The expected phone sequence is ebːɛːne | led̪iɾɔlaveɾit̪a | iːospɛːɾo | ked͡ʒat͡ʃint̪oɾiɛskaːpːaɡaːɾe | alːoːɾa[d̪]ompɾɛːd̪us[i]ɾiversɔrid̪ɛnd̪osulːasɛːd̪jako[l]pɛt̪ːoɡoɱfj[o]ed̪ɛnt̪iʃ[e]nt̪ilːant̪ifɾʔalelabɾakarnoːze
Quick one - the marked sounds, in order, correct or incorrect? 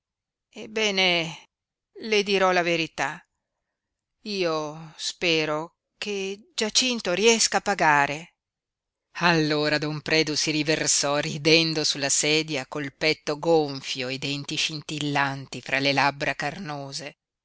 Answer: correct, correct, correct, correct, incorrect

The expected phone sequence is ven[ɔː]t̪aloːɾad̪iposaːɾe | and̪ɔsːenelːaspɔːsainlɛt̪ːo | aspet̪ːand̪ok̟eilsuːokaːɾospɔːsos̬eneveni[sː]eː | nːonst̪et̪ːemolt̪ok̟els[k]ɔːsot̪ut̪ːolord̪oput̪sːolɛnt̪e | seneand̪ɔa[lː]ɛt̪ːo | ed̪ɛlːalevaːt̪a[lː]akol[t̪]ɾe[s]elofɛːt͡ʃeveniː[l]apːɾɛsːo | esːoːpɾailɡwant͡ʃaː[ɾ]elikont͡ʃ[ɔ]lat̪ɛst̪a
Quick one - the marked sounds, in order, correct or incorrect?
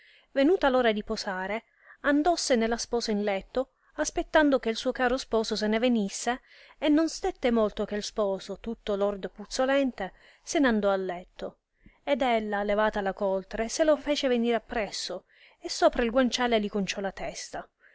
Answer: incorrect, correct, incorrect, correct, incorrect, correct, correct, incorrect, incorrect, correct

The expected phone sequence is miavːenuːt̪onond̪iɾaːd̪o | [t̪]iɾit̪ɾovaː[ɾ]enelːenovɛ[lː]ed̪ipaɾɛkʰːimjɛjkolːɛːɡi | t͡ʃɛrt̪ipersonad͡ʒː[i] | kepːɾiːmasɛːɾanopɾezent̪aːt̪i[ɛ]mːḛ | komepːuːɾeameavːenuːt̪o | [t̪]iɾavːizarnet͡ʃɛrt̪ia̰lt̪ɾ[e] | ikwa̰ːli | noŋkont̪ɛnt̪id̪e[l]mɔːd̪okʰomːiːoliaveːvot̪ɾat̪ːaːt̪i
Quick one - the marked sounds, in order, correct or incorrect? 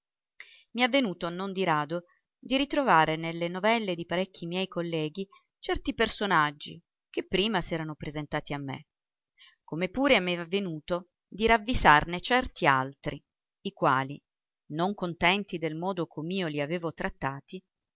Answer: incorrect, correct, correct, correct, incorrect, incorrect, incorrect, correct

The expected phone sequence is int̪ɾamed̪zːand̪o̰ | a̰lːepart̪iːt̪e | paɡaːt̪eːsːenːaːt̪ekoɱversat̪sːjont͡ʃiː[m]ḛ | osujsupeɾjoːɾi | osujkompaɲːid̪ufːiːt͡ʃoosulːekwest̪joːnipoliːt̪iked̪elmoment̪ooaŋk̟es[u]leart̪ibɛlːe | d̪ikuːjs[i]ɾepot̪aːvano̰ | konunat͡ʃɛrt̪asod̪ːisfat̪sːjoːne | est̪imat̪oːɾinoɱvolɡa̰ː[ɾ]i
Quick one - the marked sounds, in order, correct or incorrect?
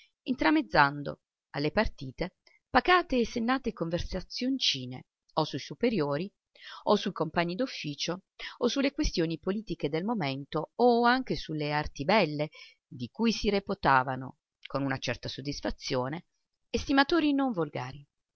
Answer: incorrect, correct, correct, correct

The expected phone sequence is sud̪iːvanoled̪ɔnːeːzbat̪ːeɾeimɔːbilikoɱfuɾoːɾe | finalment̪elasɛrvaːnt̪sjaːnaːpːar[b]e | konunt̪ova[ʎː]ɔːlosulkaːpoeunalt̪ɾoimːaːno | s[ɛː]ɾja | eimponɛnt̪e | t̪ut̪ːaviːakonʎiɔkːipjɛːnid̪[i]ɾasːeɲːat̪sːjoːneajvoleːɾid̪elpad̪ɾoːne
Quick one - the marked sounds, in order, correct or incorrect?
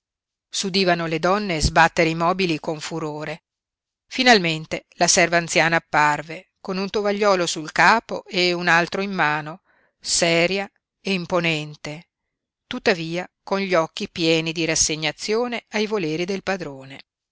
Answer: incorrect, correct, correct, correct

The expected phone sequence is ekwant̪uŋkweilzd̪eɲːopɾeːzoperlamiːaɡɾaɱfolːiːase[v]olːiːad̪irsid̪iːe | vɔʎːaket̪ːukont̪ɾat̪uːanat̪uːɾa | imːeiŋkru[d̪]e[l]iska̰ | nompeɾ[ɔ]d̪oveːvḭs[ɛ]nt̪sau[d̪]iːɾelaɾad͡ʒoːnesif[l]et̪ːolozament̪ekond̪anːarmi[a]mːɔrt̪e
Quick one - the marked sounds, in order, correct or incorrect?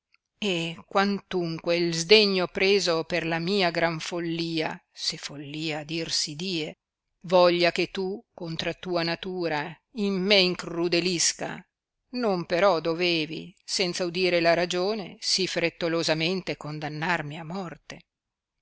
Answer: incorrect, correct, correct, correct, correct, correct, incorrect, correct

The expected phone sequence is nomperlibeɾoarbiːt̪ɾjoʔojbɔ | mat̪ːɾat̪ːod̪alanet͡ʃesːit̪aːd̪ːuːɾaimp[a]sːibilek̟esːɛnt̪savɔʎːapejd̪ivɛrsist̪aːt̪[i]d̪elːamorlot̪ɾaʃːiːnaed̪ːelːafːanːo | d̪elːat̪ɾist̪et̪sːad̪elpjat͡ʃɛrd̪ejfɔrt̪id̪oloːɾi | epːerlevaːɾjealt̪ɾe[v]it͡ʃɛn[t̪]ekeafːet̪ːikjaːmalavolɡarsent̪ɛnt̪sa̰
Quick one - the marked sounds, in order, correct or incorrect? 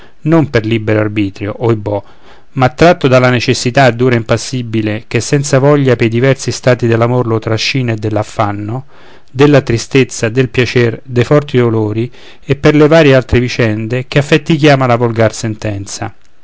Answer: correct, correct, correct, incorrect

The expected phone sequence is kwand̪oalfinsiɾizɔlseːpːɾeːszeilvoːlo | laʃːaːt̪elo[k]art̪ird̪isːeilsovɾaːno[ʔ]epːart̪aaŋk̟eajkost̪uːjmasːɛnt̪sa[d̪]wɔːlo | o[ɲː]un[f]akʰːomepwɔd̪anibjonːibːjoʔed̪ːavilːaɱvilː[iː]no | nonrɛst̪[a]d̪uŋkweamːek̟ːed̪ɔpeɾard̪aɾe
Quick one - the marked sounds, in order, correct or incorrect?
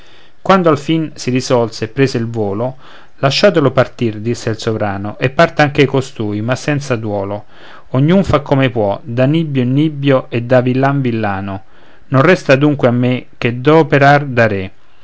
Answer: incorrect, correct, correct, correct, correct, incorrect, correct

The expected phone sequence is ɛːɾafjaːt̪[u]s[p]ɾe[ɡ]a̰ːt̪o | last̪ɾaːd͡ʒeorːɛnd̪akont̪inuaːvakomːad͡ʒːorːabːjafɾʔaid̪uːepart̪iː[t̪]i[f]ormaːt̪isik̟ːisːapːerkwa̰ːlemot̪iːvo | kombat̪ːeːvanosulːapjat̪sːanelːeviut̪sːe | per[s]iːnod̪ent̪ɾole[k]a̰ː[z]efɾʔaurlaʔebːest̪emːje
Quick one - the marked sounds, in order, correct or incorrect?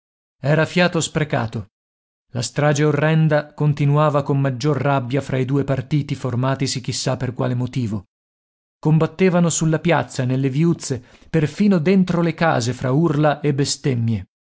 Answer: incorrect, correct, incorrect, correct, correct, incorrect, correct, correct

